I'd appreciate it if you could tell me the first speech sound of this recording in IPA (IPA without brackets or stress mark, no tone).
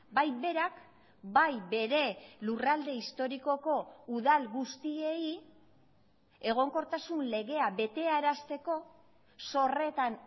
b